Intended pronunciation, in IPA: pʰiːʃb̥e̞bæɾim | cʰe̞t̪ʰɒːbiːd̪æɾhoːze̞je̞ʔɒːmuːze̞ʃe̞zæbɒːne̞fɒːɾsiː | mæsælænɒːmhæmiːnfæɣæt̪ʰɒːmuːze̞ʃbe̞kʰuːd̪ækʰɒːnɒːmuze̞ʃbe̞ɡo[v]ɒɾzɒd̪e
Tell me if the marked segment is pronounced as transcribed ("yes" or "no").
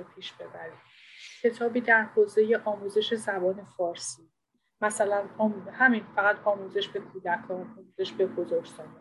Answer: no